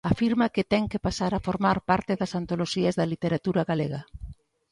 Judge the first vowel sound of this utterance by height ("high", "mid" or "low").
low